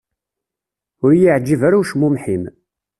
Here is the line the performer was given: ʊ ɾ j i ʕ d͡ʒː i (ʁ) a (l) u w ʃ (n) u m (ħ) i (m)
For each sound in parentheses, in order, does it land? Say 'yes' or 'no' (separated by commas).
no, no, no, yes, yes